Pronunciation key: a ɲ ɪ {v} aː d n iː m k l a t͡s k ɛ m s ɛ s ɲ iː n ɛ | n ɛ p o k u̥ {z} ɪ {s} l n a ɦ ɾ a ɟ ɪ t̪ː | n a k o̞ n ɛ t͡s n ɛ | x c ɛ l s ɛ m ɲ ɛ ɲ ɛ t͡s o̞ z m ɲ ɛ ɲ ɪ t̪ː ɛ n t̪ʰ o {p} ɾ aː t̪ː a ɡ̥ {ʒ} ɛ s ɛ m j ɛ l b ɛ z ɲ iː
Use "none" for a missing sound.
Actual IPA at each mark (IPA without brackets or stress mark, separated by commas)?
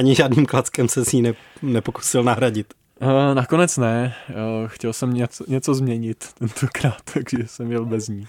ʒ, s, none, k, ʒ